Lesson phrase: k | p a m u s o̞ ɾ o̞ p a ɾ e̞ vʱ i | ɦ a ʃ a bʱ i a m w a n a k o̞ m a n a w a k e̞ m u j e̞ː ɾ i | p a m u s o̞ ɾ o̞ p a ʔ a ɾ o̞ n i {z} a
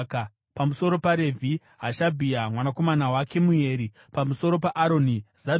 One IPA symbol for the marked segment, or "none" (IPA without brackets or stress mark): z